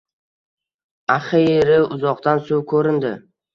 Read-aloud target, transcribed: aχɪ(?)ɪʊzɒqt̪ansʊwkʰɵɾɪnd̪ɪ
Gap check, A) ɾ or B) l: A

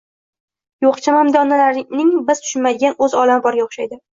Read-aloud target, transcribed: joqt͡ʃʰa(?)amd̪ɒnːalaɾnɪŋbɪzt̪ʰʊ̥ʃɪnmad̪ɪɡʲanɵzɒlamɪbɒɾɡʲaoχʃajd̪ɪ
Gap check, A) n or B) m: B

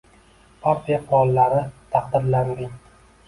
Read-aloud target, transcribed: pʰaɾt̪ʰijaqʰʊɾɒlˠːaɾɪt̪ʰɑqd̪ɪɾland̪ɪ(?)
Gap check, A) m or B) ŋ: B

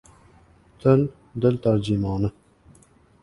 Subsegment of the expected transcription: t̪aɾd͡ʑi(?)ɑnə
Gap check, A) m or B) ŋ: A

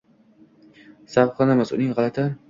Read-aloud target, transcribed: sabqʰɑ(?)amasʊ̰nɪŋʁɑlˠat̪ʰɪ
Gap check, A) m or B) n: B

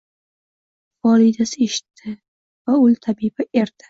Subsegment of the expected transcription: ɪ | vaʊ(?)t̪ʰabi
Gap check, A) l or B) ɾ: A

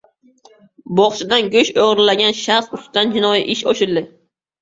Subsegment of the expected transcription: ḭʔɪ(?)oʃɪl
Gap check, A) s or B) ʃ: B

